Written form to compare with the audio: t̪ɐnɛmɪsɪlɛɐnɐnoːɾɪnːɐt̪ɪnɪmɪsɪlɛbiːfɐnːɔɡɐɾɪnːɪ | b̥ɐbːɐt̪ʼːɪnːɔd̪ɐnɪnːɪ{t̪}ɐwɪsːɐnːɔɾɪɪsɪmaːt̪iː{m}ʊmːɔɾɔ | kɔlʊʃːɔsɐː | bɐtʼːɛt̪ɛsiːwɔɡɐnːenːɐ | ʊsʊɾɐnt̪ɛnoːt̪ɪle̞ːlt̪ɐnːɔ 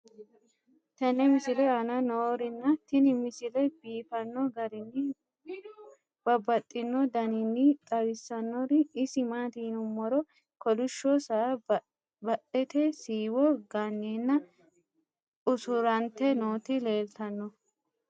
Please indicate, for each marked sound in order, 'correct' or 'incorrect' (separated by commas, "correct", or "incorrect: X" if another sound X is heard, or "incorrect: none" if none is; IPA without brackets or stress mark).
incorrect: t̪ʼ, incorrect: n